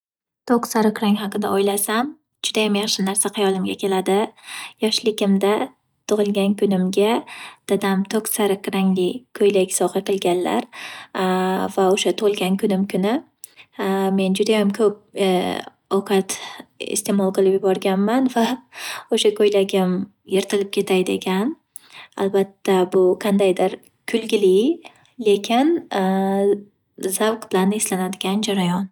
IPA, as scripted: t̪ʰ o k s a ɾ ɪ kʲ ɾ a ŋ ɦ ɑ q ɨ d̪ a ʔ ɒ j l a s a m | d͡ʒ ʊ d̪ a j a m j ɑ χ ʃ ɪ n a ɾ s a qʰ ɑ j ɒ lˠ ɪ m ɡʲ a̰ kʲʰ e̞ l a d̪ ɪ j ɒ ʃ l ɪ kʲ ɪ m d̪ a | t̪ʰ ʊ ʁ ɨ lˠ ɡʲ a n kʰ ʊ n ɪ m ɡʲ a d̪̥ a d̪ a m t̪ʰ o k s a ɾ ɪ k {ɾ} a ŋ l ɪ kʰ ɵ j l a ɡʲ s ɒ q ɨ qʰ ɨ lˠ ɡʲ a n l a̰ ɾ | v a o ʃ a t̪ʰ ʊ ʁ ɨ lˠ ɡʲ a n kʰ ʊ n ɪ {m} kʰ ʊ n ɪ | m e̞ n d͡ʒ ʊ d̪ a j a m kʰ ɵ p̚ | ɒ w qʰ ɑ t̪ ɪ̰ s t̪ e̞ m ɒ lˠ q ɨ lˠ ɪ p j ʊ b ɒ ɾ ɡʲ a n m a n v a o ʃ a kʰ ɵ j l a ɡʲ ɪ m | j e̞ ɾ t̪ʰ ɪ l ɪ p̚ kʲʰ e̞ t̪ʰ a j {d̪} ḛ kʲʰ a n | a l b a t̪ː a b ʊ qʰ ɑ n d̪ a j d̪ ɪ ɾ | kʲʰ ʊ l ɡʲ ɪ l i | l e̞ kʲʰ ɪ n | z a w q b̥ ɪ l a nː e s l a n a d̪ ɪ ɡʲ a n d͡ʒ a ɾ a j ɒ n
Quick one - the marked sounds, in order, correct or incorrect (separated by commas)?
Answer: correct, correct, correct